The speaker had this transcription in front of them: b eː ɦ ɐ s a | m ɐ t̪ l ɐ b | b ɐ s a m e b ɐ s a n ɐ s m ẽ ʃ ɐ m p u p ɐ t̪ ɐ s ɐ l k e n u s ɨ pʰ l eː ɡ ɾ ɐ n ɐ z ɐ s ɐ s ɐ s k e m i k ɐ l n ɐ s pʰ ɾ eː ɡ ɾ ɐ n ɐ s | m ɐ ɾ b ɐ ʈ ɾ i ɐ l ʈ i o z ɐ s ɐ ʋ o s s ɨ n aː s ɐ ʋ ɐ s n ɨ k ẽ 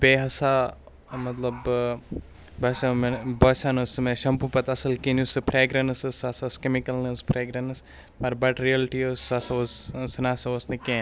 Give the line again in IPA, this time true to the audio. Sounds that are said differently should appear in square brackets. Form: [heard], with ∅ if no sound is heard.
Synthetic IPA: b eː ɦ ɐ s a | m ɐ t̪ l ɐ b | b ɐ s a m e b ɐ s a n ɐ s m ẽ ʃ ɐ m p u p ɐ t̪ ɐ s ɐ l k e n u s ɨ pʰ [ɾ] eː ɡ ɾ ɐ n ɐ [s] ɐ s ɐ s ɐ s k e m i k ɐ l n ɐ s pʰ ɾ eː ɡ ɾ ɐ n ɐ s | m ɐ ɾ b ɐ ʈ ɾ i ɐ l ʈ i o [s] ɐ s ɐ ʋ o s s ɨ n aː s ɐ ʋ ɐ s n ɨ k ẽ